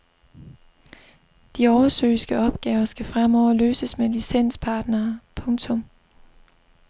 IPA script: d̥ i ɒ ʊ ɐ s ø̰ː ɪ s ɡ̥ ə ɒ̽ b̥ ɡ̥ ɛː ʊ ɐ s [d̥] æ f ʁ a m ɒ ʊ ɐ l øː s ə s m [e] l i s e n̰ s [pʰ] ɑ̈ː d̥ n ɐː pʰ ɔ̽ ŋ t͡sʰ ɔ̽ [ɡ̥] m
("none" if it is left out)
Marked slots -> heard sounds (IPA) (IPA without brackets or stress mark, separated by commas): ɡ̥, e, pʰ, none